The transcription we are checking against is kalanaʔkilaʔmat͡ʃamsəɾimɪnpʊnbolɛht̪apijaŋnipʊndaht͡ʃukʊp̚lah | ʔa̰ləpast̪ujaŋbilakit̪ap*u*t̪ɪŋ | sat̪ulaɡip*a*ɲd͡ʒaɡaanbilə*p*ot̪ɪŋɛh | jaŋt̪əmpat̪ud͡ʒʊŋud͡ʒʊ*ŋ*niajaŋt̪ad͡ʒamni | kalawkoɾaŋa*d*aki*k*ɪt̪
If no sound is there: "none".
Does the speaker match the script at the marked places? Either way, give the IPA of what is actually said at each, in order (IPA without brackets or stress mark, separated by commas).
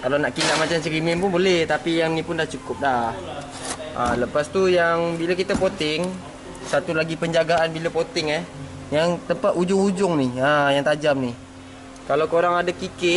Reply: o, ə, p, ŋ, d, k